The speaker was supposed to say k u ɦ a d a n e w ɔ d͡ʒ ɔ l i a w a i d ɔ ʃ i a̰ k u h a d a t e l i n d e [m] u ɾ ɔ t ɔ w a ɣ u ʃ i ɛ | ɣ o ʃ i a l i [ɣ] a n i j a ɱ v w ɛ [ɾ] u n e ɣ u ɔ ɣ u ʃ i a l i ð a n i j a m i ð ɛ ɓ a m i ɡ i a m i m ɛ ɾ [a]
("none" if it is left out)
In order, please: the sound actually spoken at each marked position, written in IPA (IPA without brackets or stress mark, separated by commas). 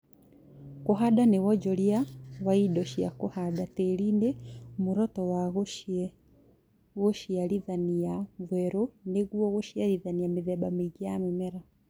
m, ð, ɾ, a